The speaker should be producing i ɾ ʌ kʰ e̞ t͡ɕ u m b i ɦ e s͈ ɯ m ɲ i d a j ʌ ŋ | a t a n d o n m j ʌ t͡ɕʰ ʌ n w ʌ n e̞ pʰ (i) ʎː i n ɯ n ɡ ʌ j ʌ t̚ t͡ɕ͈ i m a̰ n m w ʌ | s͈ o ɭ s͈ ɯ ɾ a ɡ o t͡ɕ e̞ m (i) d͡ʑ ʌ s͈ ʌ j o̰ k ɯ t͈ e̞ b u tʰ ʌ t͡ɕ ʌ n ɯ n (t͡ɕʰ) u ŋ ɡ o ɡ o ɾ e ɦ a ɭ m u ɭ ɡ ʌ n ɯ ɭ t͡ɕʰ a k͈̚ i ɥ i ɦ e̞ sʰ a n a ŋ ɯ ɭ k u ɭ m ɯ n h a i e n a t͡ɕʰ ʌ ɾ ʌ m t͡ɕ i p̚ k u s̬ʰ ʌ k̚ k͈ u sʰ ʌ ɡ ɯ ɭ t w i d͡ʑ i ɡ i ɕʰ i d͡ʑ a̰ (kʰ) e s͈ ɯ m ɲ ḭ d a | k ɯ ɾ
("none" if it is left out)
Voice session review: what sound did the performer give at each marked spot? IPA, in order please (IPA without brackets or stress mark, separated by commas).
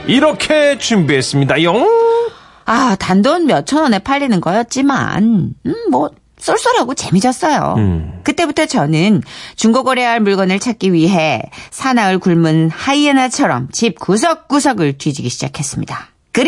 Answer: a, i, t͡ɕ, kʰ